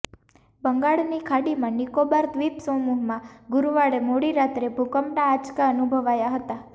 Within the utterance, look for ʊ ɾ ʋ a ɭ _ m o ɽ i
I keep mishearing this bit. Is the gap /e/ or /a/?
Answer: e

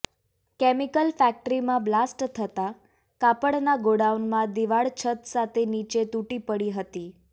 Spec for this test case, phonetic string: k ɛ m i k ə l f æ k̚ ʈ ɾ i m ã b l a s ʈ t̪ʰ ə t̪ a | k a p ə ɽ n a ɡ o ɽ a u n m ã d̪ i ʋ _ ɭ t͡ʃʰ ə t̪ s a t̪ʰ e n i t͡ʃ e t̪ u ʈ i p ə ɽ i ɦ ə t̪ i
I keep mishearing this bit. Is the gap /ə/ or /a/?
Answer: a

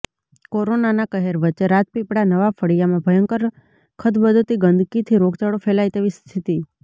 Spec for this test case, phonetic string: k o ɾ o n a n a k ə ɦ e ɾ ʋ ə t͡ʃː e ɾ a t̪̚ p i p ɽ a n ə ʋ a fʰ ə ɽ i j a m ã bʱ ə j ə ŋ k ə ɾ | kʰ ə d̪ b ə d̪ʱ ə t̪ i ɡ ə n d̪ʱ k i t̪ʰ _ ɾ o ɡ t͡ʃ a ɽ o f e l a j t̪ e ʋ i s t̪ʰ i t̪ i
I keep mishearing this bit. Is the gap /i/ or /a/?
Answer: i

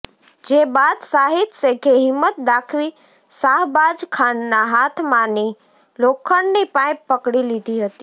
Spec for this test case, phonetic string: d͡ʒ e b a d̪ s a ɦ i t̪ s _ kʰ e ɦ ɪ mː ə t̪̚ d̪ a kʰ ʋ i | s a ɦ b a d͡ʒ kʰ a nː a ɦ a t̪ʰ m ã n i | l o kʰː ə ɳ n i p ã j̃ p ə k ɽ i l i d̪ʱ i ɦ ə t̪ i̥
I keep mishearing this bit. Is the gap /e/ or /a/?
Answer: e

